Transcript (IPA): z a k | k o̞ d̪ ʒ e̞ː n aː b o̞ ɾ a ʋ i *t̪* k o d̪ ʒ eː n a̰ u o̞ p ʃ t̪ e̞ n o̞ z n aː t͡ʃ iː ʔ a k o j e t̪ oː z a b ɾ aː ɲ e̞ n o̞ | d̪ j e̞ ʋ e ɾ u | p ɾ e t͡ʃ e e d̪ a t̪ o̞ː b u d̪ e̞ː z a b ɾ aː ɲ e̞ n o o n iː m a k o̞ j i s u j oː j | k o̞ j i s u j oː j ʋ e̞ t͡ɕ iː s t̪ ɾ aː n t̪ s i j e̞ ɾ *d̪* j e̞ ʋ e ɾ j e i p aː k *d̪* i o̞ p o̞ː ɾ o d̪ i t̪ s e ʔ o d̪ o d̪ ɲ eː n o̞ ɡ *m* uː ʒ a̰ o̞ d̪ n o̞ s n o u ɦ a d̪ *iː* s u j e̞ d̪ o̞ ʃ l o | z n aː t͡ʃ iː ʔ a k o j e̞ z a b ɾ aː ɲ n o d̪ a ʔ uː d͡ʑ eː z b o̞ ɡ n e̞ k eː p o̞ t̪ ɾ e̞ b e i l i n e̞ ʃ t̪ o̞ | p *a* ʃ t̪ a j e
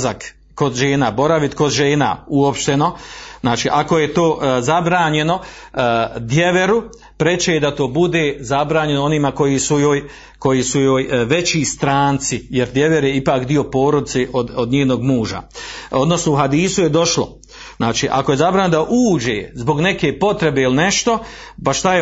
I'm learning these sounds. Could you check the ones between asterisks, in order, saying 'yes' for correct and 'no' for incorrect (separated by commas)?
yes, yes, yes, yes, yes, yes